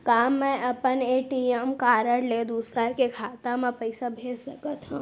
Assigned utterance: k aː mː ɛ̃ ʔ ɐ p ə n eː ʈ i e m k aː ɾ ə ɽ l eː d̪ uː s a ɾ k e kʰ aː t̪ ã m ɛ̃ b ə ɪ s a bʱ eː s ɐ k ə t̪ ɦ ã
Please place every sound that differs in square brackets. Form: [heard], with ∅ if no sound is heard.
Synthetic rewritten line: k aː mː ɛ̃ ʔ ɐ p ə n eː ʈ i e m k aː ɾ ə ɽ l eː d̪ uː s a ɾ k e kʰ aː t̪ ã m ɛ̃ [p] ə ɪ s a bʱ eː s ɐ k ə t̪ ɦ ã